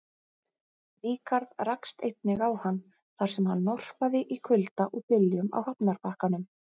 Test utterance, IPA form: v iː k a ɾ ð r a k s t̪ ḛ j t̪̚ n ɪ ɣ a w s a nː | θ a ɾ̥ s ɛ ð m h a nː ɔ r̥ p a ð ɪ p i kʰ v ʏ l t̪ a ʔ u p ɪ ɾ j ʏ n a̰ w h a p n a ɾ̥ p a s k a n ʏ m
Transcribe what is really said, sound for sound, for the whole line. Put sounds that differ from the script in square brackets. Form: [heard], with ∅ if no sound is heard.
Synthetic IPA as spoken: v iː k a ɾ ð r a k s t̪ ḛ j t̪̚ n ɪ ɣ a w [h] a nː | θ a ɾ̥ s ɛ [∅] m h a nː ɔ r̥ p a ð ɪ [ʔ] i kʰ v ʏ l t̪ a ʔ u p ɪ [l] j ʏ [m] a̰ w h a p n a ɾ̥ p a [h] k a n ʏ m